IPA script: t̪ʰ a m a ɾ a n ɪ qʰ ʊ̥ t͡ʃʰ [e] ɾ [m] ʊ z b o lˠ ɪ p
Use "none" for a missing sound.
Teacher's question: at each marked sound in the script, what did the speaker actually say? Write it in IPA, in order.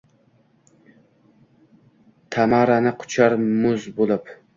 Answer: a, m

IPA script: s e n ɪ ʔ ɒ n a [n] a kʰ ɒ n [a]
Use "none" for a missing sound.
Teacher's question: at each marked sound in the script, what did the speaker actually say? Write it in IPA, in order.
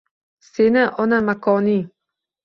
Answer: m, i

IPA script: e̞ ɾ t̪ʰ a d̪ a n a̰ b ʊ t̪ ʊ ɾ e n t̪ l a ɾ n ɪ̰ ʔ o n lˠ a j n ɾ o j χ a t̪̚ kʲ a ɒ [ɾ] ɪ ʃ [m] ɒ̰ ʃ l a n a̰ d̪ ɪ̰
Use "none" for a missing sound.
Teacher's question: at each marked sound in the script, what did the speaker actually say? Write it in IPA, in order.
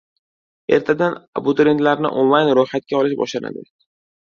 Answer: l, b

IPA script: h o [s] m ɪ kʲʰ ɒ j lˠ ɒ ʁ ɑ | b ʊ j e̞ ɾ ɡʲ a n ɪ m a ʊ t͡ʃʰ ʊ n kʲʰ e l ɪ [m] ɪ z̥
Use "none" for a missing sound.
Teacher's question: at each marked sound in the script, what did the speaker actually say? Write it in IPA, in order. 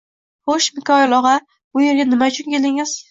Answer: ʃ, ŋ

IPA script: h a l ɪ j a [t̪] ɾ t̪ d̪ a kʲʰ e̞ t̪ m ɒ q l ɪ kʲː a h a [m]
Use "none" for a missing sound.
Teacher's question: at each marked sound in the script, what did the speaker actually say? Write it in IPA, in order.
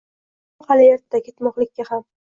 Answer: none, m

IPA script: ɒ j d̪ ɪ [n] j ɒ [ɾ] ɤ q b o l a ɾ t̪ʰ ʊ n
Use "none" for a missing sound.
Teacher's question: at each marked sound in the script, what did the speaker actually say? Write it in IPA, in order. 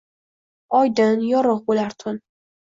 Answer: n, ɾ

